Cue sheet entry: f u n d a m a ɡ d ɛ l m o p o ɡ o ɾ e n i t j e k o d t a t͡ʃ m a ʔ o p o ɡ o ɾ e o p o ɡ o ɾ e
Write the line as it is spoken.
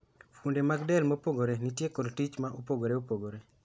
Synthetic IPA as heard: f u n d e m a ɡ d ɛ l m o p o ɡ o ɾ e n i t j e k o d t i t͡ʃ m a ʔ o p o ɡ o ɾ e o p o ɡ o ɾ e